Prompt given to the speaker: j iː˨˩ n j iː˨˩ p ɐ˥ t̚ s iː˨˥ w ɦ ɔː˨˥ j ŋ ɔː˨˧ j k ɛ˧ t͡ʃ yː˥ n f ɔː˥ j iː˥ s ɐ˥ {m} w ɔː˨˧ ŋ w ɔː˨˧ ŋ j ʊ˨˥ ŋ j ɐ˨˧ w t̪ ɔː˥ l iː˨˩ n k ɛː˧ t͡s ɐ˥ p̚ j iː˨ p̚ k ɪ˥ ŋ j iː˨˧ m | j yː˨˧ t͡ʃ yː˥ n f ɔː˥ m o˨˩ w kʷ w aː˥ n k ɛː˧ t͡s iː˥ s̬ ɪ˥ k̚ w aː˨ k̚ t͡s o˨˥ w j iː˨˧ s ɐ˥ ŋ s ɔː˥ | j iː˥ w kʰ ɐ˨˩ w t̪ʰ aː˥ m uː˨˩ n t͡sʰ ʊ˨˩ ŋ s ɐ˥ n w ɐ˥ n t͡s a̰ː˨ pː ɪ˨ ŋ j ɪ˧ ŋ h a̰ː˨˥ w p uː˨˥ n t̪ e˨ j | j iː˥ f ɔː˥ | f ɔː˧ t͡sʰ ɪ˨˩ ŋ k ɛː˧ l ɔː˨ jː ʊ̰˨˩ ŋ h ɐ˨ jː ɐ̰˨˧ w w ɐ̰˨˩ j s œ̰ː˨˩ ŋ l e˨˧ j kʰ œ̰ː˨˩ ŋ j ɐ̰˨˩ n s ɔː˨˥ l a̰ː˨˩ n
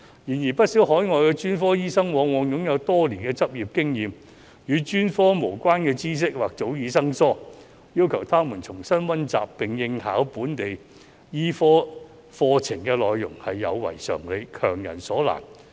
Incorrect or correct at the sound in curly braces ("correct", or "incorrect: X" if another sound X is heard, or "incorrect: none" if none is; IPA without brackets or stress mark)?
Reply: incorrect: ŋ